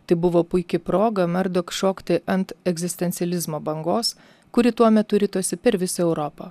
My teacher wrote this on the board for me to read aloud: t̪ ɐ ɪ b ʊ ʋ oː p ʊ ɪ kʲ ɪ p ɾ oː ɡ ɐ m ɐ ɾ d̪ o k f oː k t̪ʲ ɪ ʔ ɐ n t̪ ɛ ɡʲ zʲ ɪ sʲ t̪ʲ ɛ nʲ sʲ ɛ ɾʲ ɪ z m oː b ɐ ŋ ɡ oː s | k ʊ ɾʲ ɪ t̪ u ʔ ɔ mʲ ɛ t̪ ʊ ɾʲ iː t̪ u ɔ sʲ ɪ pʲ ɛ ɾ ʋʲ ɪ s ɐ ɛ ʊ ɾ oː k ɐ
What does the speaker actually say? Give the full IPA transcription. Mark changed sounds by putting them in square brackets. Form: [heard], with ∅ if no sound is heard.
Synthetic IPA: t̪ ɐ ɪ b ʊ ʋ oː p ʊ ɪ kʲ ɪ p ɾ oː ɡ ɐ m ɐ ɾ d̪ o k [ʃ] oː k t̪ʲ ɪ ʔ ɐ n t̪ ɛ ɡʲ zʲ ɪ sʲ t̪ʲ ɛ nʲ sʲ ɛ [lʲ] ɪ z m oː b ɐ ŋ ɡ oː s | k ʊ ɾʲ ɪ t̪ u [∅] ɔ mʲ ɛ t̪ ʊ ɾʲ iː t̪ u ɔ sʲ ɪ pʲ ɛ ɾ ʋʲ ɪ s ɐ ɛ ʊ ɾ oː [p] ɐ